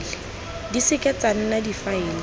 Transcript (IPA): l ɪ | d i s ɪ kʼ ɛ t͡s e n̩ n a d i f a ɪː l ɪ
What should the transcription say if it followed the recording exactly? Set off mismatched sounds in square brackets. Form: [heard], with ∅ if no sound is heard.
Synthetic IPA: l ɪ | d i s ɪ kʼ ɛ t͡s [a] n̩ n a d i f a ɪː l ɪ